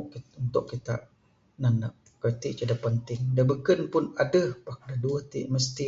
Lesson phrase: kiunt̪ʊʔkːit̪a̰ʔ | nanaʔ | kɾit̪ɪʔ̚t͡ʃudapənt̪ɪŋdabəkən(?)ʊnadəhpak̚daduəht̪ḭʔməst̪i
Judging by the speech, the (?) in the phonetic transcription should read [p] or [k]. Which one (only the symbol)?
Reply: p